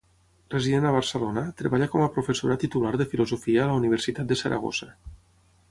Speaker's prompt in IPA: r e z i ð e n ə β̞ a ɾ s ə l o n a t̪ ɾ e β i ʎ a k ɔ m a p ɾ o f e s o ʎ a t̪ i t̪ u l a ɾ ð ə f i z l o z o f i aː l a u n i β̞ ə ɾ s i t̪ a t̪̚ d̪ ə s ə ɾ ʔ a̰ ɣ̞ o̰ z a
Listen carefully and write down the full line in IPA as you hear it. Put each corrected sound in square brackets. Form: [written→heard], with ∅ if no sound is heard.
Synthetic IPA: r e z i ð e n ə β̞ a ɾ s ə l o n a t̪ ɾ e β [i→a] ʎ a k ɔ m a p ɾ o f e s o [ʎ→ɾ] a t̪ i t̪ u l a ɾ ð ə f i [z→∅] l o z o f i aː l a u n i β̞ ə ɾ s i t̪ a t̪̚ d̪ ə s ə ɾ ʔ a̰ ɣ̞ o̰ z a